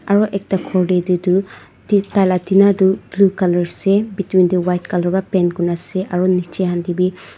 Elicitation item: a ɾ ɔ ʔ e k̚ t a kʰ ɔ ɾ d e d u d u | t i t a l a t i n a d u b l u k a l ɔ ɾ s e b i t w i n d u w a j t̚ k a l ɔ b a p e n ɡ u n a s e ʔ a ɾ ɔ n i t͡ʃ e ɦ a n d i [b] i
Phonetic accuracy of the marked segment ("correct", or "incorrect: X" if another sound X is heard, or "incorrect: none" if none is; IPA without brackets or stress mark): correct